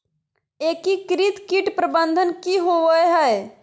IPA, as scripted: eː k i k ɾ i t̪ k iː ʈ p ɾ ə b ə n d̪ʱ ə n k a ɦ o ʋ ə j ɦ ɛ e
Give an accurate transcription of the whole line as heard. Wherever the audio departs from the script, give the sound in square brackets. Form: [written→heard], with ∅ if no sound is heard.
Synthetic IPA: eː k i k ɾ i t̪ k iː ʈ p ɾ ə b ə n d̪ʱ ə n k [a→i] ɦ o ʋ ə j ɦ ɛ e